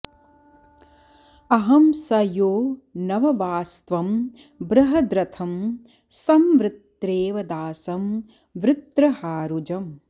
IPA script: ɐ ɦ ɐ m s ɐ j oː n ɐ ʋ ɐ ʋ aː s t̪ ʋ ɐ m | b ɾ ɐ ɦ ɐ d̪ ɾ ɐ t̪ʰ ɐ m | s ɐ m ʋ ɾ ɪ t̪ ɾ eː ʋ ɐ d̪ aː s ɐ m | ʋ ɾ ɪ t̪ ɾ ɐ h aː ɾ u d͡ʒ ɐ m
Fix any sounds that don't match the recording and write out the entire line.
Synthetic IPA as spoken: ɐ ɦ ɐ m s ɐ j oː n ɐ ʋ ɐ ʋ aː s t̪ ʋ ɐ m | b ɾ ɐ ɦ ɐ d̪ ɾ ɐ t̪ʰ ɐ m | s ɐ m ʋ ɾ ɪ t̪ ɾ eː ʋ ɐ d̪ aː s ɐ m | ʋ ɾ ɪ t̪ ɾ ɐ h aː ɾ u d͡ʒ ɐ m